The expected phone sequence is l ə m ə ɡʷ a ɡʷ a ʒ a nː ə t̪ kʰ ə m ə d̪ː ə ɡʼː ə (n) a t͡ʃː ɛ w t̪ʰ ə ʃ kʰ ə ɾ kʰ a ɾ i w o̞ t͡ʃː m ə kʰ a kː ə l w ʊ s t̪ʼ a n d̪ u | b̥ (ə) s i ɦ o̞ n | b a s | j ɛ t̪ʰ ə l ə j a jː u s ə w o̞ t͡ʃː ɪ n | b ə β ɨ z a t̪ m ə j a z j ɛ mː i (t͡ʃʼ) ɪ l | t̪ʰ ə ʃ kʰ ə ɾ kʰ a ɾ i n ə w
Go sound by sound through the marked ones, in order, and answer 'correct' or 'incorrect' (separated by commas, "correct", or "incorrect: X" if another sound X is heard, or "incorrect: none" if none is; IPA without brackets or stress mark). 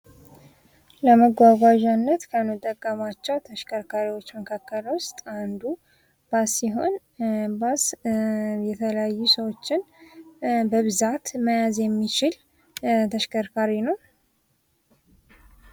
incorrect: m, incorrect: a, incorrect: t͡ʃ